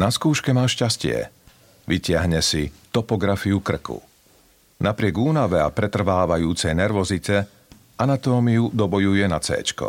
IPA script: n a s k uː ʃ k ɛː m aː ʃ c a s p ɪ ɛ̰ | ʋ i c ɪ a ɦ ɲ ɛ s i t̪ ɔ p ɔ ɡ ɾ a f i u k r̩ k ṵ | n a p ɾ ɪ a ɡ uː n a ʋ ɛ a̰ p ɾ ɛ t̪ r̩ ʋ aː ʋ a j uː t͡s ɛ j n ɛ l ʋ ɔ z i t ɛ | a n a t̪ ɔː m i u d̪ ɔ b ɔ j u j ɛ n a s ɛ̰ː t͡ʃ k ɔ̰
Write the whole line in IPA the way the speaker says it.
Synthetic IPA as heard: n a s k uː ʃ k ɛ m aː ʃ c a s c ɪ ɛ̰ | ʋ i c ɪ a ɦ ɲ ɛ s i t̪ ɔ p ɔ ɡ ɾ a f i u k r̩ k ṵ | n a p ɾ ɪ ɛ ɡ uː n a ʋ ɛ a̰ p ɾ ɛ t̪ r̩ ʋ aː ʋ a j uː t͡s ɛ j n ɛ ɾ ʋ ɔ z i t ɛ | a n a t̪ ɔː m i u d̪ ɔ b ɔ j u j ɛ n a t͡s ɛ̰ː t͡ʃ k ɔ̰